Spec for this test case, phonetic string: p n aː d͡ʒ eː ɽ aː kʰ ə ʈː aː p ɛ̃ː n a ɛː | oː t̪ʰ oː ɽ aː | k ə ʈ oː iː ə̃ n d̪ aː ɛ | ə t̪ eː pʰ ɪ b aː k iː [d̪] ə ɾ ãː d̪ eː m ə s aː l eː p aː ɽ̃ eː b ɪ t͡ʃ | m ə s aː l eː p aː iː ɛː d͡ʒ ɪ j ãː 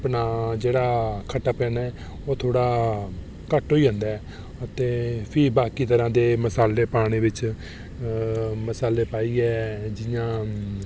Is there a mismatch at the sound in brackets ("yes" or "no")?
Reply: yes